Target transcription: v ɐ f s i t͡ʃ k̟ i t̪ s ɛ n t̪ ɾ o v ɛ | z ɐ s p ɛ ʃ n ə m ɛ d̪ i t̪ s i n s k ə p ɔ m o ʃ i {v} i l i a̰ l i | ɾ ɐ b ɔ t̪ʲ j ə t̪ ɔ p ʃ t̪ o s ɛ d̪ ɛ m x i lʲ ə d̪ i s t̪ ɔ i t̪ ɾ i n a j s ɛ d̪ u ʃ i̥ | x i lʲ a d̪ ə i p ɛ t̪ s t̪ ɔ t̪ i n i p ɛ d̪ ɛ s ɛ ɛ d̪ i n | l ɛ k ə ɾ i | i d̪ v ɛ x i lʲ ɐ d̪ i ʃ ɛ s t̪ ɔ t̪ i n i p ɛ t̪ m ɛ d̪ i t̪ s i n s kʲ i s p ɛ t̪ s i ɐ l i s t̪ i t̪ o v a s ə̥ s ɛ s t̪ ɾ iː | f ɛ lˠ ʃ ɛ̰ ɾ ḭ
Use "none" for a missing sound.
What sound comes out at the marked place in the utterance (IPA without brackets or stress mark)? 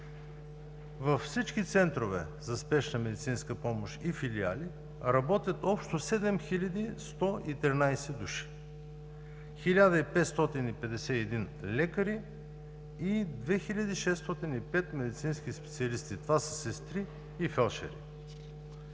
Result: f